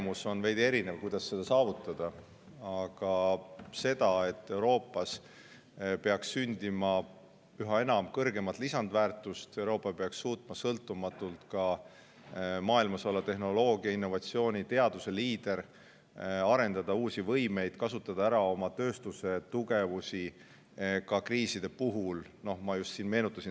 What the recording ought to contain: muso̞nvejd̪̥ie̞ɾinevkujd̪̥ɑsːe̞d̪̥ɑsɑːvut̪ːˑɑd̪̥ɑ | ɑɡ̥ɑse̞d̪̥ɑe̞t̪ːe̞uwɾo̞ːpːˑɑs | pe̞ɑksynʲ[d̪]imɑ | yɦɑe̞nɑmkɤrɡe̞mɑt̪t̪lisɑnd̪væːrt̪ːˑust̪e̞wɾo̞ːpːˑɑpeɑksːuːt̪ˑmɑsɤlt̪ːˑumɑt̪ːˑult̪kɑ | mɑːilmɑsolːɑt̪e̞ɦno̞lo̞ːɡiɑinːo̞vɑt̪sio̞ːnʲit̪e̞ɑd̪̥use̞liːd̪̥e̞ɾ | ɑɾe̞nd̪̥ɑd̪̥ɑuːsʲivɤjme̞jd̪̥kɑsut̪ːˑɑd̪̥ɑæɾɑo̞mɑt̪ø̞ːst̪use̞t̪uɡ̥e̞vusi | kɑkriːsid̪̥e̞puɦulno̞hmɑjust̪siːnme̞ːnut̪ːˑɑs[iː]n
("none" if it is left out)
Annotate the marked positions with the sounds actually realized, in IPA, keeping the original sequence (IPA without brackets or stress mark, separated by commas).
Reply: d̪, i